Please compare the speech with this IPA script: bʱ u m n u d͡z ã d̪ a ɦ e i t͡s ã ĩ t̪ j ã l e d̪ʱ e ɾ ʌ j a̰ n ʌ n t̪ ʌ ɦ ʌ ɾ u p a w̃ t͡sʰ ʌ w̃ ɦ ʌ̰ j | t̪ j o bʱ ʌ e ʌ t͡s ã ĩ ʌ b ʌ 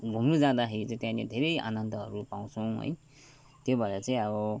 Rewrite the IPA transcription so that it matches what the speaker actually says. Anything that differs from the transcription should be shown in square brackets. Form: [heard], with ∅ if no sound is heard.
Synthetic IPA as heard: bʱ u m n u d͡z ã d̪ a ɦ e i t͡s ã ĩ t̪ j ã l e d̪ʱ e ɾ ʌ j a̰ n ʌ n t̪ ʌ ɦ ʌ ɾ u p a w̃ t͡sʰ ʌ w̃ ɦ ʌ̰ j | t̪ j o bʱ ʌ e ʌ t͡s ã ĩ ʌ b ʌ